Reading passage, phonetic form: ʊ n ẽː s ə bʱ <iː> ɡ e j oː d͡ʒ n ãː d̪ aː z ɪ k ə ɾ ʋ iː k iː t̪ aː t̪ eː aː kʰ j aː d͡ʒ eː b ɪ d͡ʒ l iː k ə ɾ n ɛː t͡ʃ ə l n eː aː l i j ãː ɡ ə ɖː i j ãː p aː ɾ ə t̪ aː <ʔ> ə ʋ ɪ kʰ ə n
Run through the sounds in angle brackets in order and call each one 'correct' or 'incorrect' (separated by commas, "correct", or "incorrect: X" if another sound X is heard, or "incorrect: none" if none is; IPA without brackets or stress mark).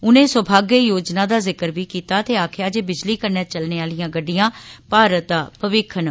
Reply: incorrect: aː, incorrect: p